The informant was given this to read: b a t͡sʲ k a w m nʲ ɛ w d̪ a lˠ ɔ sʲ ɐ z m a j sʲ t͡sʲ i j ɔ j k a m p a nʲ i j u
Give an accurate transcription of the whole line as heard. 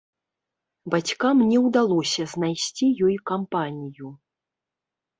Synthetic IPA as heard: b a t͡sʲ k a m nʲ ɛ w d̪ a lˠ ɔ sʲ ɐ z n a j sʲ t͡sʲ i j ɔ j k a m p a nʲ i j u

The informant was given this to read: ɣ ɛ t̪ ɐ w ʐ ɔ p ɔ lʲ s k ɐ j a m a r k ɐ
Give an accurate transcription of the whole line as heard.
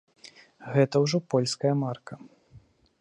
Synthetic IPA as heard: ɣ ɛ t̪ ɐ w ʐ ɔ p ɔ lʲ s k ɐ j ɐ m a r k ɐ

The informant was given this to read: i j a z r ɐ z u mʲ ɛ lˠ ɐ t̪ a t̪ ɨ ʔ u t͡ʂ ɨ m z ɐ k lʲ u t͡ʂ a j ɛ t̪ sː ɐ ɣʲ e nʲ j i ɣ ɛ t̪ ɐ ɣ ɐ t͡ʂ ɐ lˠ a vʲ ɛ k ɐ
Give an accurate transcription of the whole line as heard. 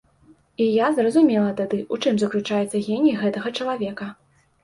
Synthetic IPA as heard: i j a z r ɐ z u mʲ ɛ lˠ ɐ t̪ a d̪ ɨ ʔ u t͡ʂ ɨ m z ɐ k lʲ u t͡ʂ a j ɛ t̪ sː ɐ ɣʲ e nʲ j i ɣ ɛ t̪ ɐ ɣ ɐ t͡ʂ ɐ lˠ a vʲ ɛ k ɐ

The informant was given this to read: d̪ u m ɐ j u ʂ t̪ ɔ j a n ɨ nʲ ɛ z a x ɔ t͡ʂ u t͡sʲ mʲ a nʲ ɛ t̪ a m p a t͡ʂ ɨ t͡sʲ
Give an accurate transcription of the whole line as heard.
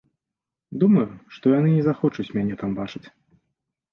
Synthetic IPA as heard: d̪ u m ɐ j u ʂ t̪ ɔ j a n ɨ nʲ ɛ z a x ɔ t͡ʂ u t͡sʲ mʲ a nʲ ɛ t̪ a m b a t͡ʂ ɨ t͡sʲ

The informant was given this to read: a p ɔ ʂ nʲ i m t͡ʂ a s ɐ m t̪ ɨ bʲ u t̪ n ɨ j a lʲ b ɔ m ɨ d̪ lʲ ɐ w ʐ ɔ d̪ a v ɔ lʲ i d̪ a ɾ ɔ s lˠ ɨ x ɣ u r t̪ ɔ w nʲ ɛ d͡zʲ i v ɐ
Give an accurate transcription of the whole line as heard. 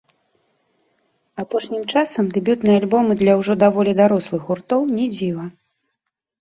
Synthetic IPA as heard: a p ɔ ʂ nʲ i m t͡ʂ a s ɐ m d̪ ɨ bʲ u t̪ n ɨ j a lʲ b ɔ m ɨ d̪ lʲ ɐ w ʐ ɔ d̪ a v ɔ lʲ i d̪ a ɾ ɔ s lˠ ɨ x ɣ u r t̪ ɔ w nʲ ɛ d͡zʲ i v ɐ

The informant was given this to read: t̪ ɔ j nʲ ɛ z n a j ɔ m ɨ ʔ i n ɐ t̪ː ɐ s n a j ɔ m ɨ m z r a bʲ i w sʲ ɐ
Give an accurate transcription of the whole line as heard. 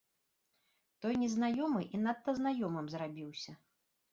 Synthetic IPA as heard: t̪ ɔ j nʲ ɛ z n a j ɔ m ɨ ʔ i n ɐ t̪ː ɐ z n a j ɔ m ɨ m z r a bʲ i w sʲ ɐ

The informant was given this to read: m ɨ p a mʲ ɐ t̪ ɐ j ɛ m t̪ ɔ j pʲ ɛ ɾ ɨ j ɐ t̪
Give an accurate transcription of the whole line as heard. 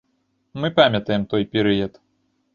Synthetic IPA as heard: m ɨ p a mʲ ɐ t̪ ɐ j ɛ m t̪ ɔ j pʲ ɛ ɾ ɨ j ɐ t̪

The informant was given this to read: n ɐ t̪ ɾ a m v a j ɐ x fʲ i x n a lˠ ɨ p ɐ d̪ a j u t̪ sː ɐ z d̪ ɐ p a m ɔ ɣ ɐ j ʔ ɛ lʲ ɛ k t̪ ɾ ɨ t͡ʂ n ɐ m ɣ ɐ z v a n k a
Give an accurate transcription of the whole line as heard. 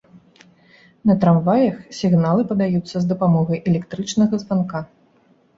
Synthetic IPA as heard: n ɐ t̪ ɾ a m v a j ɐ x sʲ i ɣ n a lˠ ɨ p ɐ d̪ a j u t̪ sː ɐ z d̪ ɐ p a m ɔ ɣ ɐ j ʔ ɛ lʲ ɛ k t̪ ɾ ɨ t͡ʂ n ɐ ɣ ɐ z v a n k a

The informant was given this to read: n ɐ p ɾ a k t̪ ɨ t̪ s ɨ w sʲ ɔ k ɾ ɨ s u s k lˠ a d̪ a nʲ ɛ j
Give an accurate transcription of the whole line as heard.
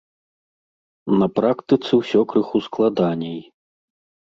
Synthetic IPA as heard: n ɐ p ɾ a k t̪ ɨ t̪ s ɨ w sʲ ɔ k ɾ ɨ x u s k lˠ a d̪ a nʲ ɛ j

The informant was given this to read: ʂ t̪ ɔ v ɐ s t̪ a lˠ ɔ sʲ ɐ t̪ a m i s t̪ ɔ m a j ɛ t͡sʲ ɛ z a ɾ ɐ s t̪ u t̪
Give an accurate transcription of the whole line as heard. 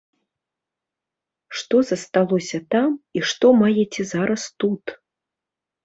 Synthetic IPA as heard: ʂ t̪ ɔ z ɐ s t̪ a lˠ ɔ sʲ ɐ t̪ a m i ʂ t̪ ɔ m a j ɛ t͡sʲ ɛ z a ɾ ɐ s t̪ u t̪

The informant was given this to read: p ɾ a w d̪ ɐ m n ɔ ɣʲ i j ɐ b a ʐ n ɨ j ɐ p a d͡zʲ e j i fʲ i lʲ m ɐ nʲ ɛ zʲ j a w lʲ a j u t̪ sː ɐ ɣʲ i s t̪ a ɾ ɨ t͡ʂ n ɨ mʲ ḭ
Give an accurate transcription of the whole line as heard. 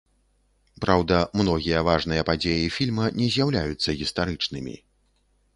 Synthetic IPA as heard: p ɾ a w d̪ ɐ m n ɔ ɣʲ i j ɐ v a ʐ n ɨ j ɐ p a d͡zʲ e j i fʲ i lʲ m ɐ nʲ ɛ zʲ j a w lʲ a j u t̪ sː ɐ ɣʲ i s t̪ a ɾ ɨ t͡ʂ n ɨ mʲ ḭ

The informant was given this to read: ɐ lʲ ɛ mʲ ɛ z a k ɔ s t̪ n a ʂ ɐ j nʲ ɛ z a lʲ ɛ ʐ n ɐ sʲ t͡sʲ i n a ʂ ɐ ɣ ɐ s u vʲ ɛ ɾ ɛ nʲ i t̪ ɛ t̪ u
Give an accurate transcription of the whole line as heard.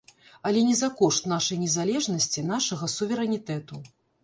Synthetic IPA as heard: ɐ lʲ ɛ nʲ ɛ z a k ɔ ʂ t̪ n a ʂ ɐ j nʲ ɛ z a lʲ ɛ ʐ n ɐ sʲ t͡sʲ i n a ʂ ɐ ɣ ɐ s u vʲ ɛ ɾ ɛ nʲ i t̪ ɛ t̪ u

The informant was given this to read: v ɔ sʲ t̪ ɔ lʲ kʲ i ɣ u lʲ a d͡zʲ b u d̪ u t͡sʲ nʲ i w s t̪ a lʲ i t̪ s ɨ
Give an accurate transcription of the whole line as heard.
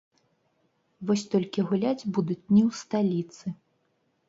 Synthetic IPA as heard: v ɔ sʲ t̪ ɔ lʲ kʲ i ɣ u lʲ a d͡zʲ b u d̪ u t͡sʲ nʲ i w s t̪ a lʲ i t̪ s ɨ

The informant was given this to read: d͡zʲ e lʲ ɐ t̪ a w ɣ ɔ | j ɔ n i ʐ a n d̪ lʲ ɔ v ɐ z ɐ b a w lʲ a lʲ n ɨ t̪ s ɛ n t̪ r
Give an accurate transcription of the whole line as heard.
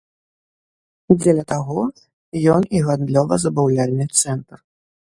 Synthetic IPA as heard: d͡zʲ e lʲ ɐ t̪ a ɣ ɔ | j ɔ n i ɣ a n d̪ lʲ ɔ v ɐ z ɐ b a w lʲ a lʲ n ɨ t̪ s ɛ n t̪ r

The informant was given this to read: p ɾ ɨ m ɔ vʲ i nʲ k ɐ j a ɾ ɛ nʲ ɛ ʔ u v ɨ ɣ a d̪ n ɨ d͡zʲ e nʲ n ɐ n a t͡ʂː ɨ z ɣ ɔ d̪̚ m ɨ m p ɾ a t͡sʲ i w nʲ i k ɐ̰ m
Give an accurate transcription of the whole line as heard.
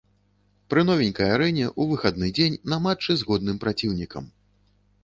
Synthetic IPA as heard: p ɾ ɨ n ɔ vʲ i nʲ k ɐ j a ɾ ɛ nʲ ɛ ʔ u v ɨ x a d̪ n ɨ d͡zʲ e nʲ n ɐ m a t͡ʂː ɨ z ɣ ɔ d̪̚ n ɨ m p ɾ a t͡sʲ i w nʲ i k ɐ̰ m

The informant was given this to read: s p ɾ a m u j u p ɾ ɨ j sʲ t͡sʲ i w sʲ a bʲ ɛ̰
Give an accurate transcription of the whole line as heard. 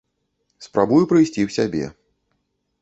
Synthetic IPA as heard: s p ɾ a b u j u p ɾ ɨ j sʲ t͡sʲ i w sʲ a bʲ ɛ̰

